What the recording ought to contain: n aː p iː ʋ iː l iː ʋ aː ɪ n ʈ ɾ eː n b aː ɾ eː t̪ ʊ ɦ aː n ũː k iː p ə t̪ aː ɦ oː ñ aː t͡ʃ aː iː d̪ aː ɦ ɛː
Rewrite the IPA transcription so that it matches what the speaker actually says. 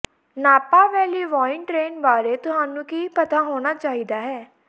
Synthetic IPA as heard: n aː p aː ʋ ɛː l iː ʋ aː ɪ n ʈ ɾ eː n b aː ɾ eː t̪ ʊ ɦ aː n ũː k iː p ə t̪ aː ɦ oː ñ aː t͡ʃ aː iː d̪ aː ɦ ɛː